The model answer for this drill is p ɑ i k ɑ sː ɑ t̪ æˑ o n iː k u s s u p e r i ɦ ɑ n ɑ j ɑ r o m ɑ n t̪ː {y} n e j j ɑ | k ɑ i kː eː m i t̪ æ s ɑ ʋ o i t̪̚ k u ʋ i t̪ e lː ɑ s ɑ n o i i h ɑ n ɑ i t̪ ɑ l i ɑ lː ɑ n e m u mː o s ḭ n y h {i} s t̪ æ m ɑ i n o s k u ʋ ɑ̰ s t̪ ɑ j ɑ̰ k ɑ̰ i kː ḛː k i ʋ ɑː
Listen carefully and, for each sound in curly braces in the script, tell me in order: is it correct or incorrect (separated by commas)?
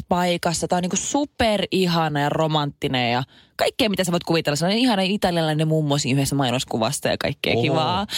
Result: incorrect, incorrect